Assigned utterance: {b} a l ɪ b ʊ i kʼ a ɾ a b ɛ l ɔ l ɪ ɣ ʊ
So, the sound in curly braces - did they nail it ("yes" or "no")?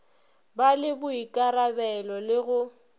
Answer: yes